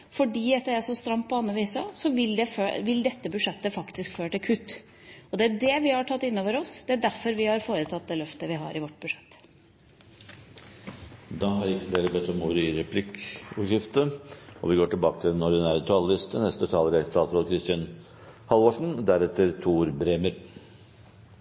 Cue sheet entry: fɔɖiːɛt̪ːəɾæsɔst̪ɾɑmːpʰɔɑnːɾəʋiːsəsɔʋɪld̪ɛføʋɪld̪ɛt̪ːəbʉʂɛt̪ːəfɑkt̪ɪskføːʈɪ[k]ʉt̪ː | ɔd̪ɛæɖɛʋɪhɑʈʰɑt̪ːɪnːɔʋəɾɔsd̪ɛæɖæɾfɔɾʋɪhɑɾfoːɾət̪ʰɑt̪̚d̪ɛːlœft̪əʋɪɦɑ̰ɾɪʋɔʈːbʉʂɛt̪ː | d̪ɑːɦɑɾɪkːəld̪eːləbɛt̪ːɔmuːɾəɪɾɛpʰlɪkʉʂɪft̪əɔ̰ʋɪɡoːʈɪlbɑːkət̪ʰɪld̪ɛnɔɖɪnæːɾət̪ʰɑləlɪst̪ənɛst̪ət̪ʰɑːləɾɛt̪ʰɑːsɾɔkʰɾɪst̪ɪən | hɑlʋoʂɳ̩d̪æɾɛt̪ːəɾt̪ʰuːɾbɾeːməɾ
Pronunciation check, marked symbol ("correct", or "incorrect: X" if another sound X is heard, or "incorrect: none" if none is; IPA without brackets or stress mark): incorrect: kʰ